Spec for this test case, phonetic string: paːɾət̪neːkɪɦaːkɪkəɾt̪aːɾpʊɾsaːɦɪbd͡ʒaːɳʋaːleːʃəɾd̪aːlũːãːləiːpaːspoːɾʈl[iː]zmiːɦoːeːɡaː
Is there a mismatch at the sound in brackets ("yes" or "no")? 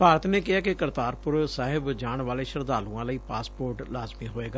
yes